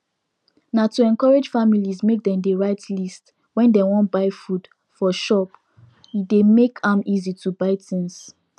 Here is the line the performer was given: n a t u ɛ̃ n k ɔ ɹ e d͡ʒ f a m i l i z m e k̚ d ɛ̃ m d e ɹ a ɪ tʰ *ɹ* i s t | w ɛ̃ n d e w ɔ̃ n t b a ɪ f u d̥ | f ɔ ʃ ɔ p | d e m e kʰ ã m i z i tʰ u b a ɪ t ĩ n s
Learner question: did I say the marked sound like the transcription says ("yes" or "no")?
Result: no